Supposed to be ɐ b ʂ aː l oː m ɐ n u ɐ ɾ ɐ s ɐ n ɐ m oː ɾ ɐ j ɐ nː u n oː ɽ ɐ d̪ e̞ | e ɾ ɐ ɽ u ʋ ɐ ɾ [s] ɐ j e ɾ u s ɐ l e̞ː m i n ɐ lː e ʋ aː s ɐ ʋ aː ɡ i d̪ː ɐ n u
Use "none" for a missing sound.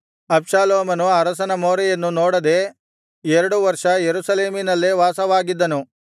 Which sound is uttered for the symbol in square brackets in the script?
ʂ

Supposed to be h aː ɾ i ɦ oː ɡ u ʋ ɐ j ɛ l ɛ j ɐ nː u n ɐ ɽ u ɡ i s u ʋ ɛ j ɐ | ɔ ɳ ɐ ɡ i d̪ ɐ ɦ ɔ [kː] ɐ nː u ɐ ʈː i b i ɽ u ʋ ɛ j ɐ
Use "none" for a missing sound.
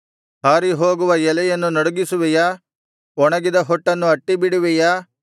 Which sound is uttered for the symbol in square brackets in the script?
ʈː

